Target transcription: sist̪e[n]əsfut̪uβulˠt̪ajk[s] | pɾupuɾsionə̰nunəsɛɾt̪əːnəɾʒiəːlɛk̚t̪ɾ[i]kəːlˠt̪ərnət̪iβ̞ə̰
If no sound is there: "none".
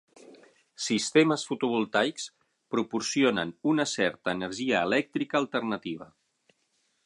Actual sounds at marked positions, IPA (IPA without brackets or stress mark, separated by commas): m, s, i